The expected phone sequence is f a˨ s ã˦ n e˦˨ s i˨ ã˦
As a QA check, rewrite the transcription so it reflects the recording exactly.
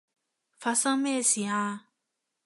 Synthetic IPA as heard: f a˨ s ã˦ m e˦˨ s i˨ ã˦